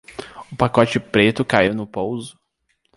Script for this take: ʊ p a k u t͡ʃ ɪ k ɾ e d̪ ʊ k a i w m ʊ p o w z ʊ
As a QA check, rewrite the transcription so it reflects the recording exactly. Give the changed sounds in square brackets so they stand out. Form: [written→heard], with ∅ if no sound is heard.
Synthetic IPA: ʊ p a k [u→ɔ] t͡ʃ ɪ [k→p] ɾ e [d̪→t̪] ʊ k a i w [m→n] ʊ p o w z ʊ